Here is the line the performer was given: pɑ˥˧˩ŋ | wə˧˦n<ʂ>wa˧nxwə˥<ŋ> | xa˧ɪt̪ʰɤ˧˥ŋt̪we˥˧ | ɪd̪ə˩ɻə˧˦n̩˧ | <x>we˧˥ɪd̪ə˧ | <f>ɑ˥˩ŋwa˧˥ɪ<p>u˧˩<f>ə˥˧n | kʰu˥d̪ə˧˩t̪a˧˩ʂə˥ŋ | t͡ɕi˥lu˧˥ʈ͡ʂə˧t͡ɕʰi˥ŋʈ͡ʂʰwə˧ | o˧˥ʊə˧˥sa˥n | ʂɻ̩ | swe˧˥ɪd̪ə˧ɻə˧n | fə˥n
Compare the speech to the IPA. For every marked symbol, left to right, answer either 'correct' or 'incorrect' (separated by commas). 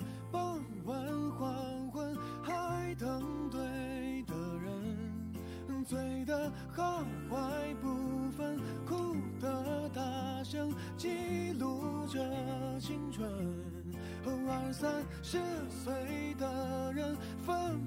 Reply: incorrect, incorrect, incorrect, incorrect, correct, correct